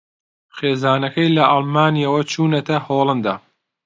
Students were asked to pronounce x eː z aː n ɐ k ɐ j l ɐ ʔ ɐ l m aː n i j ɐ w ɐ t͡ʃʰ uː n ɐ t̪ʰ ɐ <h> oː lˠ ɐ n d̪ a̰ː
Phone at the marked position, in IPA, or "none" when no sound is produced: h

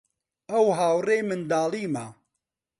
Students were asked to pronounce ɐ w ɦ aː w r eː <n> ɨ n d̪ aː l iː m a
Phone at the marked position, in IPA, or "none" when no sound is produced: m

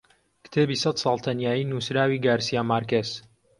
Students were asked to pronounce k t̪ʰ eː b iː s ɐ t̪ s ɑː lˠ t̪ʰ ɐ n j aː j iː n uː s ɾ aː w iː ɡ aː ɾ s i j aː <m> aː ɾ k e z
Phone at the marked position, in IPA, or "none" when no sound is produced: m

